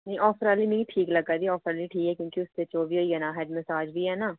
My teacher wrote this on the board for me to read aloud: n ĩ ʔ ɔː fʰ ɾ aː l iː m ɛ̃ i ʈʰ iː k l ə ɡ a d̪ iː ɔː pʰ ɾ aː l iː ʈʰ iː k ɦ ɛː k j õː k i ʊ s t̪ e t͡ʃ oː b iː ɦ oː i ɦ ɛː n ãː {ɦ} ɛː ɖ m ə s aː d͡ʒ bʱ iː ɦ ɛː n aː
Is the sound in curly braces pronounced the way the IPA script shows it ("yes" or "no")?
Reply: yes